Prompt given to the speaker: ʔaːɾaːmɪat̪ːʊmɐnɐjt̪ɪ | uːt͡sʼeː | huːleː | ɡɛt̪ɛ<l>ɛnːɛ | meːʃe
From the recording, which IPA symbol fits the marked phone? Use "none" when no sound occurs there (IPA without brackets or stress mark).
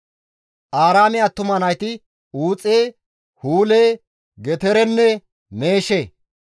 ɾ